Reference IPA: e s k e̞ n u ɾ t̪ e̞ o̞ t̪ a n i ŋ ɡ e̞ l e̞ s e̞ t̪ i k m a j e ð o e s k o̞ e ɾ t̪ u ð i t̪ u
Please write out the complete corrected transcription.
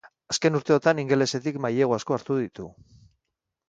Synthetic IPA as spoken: a s k e̞ n u ɾ t̪ e̞ o̞ t̪ a n i ŋ ɡ e̞ l e̞ s e̞ t̪ i k m a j e ɣ o a s k o̞ a ɾ t̪ u ð i t̪ u

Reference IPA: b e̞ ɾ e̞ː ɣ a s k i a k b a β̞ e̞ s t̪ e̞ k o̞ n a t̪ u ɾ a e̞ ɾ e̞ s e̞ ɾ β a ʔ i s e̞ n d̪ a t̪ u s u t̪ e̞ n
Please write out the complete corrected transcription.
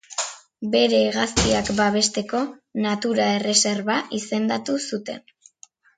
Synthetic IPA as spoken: b e̞ ɾ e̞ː ɣ a s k i a k b a β̞ e̞ s t̪ e̞ k o̞ n a t̪ u ɾ a e̞ r e̞ s e̞ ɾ β a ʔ i s e̞ n d̪ a t̪ u s u t̪ e̞ n

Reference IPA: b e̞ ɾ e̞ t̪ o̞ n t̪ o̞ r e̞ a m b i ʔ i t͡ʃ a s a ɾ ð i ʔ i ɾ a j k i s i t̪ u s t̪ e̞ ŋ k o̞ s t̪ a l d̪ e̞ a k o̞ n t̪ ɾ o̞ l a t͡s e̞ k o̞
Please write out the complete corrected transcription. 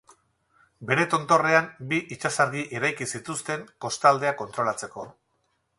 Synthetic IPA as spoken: b e̞ ɾ e̞ t̪ o̞ n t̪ o̞ r e̞ a m b i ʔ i t͡ʃ a s a ɾ ɣ i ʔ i ɾ a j k i s i t̪ u s t̪ e̞ ŋ k o̞ s t̪ a l d̪ e̞ a k o̞ n t̪ ɾ o̞ l a t͡s e̞ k o̞

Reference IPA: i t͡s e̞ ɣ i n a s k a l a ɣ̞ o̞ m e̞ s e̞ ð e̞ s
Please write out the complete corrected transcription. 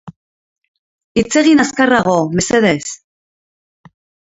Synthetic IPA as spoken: i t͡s e̞ ɣ i n a s k a r a ɣ̞ o̞ m e̞ s e̞ ð e̞ s

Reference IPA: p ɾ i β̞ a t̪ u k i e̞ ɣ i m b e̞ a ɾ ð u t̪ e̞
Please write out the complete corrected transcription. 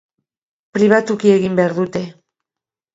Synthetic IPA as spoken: p ɾ i β̞ a t̪ u k i e̞ ɣ i m b e̞ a ɾ ð u t̪ e̞

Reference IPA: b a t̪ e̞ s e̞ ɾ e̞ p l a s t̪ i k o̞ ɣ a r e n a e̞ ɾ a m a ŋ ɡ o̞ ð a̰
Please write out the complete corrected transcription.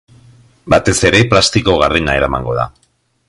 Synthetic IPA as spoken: b a t̪ e̞ s e̞ ɾ e̞ p l a s t̪ i k o̞ ɣ a r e n a e̞ ɾ a m a ŋ ɡ o̞ ð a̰

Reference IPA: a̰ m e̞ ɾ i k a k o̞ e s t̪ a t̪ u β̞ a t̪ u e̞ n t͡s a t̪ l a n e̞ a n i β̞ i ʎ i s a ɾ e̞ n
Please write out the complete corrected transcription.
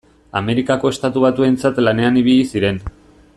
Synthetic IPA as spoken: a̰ m e̞ ɾ i k a k o̞ e s t̪ a t̪ u β̞ a t̪ u e̞ n t͡s a t̪ l a n e̞ a n i β̞ i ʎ i s i ɾ e̞ n

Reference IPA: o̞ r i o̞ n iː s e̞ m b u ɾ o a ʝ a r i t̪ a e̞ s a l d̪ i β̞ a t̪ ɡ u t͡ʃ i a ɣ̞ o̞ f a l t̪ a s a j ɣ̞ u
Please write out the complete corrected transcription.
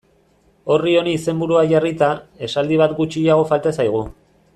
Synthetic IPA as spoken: o̞ r i o̞ n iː s e̞ m b u ɾ u a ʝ a r i t̪ a e̞ s a l d̪ i β̞ a t̪ ɡ u t͡ʃ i a ɣ̞ o̞ f a l t̪ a s a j ɣ̞ u

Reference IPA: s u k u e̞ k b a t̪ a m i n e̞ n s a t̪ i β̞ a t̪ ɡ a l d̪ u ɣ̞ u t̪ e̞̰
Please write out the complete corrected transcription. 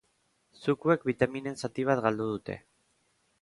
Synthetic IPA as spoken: s u k u e̞ k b i t̪ a m i n e̞ n s a t̪ i β̞ a t̪ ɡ a l d̪ u ð̞ u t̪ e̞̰

